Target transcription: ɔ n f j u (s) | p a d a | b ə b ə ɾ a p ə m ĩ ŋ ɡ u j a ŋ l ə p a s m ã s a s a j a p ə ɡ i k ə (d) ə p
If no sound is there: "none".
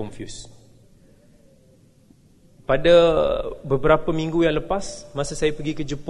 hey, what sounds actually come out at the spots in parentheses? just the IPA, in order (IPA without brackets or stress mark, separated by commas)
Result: s, d͡ʒ